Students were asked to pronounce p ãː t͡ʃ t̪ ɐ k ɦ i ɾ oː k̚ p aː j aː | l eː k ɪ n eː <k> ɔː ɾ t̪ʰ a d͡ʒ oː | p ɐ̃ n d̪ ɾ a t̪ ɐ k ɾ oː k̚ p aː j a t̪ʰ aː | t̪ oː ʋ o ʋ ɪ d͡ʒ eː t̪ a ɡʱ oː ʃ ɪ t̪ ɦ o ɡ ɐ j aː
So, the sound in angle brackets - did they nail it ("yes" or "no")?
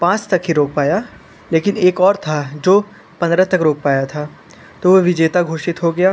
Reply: yes